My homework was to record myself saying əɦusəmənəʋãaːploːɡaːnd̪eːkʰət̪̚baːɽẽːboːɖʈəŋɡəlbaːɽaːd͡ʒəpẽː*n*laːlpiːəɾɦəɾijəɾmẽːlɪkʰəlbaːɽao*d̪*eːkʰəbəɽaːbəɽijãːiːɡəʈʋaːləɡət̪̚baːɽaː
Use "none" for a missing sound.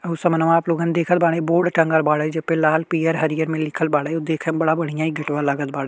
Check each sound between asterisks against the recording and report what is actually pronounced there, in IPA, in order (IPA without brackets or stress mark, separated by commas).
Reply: none, d̪